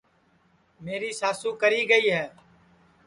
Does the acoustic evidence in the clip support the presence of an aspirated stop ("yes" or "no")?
no